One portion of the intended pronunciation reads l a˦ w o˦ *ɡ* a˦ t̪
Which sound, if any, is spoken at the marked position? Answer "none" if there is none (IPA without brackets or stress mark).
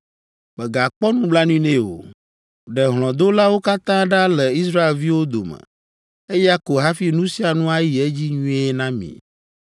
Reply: k